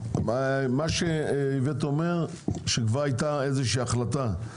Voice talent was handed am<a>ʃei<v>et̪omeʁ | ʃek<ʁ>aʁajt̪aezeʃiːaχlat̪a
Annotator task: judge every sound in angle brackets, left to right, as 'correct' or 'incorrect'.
correct, correct, incorrect

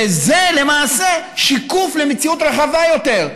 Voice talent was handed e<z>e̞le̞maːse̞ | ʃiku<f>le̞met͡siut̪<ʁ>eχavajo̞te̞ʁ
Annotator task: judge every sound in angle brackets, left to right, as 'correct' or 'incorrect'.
correct, correct, correct

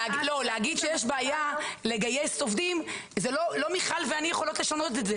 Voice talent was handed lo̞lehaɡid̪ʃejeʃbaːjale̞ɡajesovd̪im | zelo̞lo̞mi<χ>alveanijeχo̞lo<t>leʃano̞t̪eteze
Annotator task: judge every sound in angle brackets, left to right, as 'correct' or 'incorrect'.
correct, correct

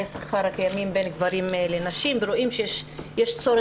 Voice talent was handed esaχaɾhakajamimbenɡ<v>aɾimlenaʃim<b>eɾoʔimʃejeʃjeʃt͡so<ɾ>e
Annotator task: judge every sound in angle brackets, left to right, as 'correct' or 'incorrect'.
correct, incorrect, correct

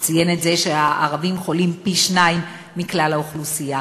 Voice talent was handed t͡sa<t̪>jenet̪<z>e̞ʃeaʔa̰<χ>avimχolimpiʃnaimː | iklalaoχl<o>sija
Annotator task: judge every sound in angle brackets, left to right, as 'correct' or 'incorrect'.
incorrect, correct, incorrect, incorrect

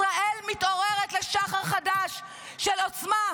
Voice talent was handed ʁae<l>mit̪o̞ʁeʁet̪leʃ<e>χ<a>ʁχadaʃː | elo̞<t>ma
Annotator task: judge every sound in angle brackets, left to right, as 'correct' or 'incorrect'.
correct, incorrect, correct, incorrect

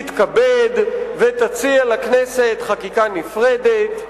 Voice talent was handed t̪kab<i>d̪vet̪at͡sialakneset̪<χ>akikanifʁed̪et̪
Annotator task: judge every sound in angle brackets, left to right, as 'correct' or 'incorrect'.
incorrect, correct

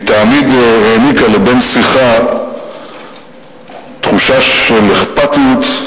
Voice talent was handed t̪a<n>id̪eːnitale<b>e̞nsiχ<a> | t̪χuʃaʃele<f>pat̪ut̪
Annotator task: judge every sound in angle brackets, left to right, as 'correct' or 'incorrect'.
incorrect, correct, correct, incorrect

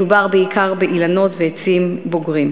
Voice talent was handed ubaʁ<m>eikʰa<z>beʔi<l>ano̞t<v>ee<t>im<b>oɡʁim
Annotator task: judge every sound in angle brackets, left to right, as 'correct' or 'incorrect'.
incorrect, incorrect, correct, correct, incorrect, correct

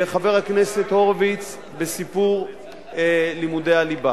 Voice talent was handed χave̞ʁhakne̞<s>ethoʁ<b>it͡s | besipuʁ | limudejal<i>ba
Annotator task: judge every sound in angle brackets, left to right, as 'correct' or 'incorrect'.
correct, incorrect, correct

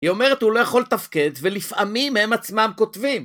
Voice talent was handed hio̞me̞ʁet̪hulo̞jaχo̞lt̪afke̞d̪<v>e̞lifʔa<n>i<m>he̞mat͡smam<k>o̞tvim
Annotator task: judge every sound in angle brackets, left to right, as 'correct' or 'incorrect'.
correct, incorrect, correct, correct

